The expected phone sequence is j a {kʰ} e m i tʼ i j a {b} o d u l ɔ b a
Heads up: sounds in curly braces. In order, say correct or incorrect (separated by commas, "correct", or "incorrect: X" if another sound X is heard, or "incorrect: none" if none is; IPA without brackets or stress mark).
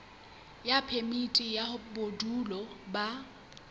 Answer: incorrect: pʰ, correct